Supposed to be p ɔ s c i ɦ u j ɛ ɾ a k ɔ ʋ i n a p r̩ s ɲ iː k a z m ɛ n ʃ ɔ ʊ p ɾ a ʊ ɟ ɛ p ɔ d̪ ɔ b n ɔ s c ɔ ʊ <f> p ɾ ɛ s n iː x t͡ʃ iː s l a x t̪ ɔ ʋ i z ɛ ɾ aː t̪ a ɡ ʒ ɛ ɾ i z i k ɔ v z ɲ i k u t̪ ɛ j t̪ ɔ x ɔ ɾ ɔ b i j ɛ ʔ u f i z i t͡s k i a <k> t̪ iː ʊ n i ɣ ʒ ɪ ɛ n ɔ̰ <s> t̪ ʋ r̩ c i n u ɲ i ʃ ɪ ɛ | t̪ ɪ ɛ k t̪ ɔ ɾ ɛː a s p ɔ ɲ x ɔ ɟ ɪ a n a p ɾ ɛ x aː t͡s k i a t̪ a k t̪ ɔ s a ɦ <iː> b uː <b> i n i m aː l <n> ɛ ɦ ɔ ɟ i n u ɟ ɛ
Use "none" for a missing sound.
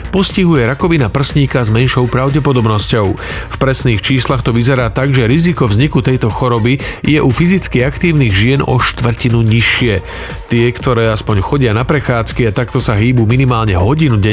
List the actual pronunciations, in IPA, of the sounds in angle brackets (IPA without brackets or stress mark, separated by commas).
f, k, ʃ, iː, m, ɲ